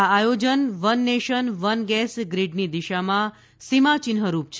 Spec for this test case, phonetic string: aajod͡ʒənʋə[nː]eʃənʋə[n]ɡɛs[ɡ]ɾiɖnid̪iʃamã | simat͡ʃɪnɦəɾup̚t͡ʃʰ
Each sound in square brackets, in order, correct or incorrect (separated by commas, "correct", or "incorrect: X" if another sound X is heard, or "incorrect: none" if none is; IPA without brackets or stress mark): correct, correct, correct